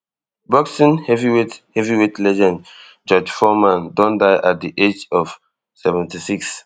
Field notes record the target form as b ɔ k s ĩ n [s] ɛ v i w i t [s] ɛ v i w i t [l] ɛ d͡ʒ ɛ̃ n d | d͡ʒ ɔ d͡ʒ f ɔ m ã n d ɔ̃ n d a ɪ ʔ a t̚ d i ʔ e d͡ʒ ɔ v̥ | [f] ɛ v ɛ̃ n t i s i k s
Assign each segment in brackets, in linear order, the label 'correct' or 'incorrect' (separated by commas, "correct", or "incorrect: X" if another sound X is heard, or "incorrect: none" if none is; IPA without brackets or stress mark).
incorrect: h, incorrect: h, correct, incorrect: s